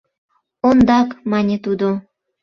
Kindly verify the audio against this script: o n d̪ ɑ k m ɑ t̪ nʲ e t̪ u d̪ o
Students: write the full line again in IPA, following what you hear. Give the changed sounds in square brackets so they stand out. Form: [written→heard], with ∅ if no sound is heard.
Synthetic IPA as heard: o n d̪ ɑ k m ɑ [t̪→∅] nʲ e t̪ u d̪ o